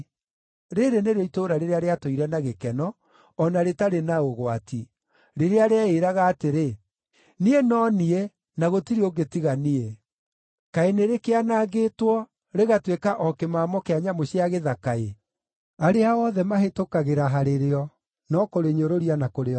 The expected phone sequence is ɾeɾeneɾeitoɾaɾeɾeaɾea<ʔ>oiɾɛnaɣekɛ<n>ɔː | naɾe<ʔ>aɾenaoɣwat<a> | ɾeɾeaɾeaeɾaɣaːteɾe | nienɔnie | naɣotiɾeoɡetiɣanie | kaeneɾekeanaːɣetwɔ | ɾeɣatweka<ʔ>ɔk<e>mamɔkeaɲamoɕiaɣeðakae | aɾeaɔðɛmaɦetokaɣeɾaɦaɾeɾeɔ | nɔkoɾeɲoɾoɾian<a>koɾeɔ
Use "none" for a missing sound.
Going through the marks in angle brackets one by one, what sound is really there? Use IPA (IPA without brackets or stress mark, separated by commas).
t, n, t, i, ʔ, e, a